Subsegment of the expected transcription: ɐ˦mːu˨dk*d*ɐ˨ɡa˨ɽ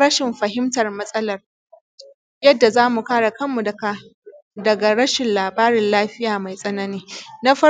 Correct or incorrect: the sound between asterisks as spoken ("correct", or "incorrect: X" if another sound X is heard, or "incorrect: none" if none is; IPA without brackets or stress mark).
correct